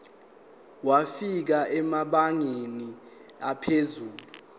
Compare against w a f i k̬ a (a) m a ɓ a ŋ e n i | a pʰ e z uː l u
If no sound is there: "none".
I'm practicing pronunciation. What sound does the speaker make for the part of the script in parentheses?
ɛ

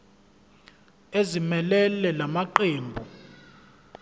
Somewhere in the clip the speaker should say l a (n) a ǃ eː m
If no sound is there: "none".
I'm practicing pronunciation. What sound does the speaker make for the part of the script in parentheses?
m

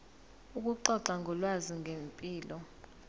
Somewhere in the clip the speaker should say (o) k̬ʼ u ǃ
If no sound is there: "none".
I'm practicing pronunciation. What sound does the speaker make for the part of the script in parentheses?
u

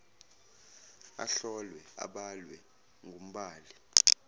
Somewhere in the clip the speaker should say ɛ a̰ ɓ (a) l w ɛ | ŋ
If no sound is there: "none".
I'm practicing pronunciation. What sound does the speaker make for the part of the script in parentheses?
a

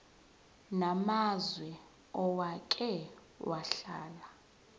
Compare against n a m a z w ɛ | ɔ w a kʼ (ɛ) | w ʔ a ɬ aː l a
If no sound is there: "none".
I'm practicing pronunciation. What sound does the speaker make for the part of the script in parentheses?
ɛ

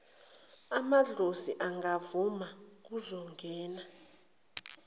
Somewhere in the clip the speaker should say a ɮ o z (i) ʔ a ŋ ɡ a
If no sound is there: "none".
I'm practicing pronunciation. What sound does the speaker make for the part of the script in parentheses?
i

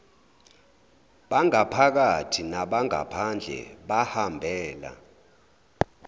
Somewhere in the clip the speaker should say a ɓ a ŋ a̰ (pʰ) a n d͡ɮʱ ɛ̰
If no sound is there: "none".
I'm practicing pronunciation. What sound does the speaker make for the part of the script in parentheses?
pʰ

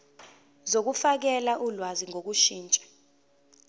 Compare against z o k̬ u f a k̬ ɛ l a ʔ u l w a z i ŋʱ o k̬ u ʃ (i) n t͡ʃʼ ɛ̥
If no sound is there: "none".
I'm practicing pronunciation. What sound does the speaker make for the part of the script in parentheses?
iː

